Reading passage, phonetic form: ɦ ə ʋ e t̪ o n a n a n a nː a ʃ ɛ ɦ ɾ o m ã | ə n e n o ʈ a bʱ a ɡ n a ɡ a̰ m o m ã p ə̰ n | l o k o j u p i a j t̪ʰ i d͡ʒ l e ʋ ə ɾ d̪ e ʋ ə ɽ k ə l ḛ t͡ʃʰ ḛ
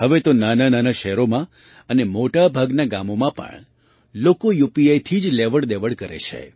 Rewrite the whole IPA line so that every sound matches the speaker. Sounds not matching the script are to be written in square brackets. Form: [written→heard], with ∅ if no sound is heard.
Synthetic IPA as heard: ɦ ə ʋ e t̪ o n a n a n a [nː→n] a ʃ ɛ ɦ ɾ o m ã | ə n e [n→m] o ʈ a bʱ a ɡ n a ɡ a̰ m o m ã p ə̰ [n→ɳ] | l o k o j u p i a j t̪ʰ i d͡ʒ l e ʋ ə [ɾ→ɽ] d̪ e ʋ ə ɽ k ə [l→ɾ] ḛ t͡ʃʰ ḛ